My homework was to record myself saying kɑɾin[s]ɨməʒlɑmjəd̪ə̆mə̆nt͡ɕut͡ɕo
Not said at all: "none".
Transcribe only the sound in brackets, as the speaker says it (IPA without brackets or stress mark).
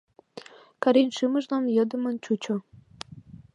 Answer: ʃ